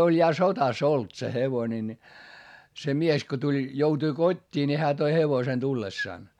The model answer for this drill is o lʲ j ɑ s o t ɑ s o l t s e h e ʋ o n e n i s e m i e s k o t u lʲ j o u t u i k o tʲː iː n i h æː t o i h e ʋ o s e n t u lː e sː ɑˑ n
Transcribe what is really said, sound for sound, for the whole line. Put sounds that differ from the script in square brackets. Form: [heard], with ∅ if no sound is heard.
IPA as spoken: o lʲ j ɑ s o t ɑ s o l t s e h e ʋ o n e n i s e m i e s k o t u lʲ j o u t u i k o tʲː iː n i h æː t o i h e ʋ o s e n t u lː e sː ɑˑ n